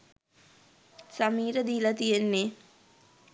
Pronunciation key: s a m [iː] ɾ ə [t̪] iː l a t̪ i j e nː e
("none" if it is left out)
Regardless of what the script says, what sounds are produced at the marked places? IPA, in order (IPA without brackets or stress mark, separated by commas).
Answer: iː, d̪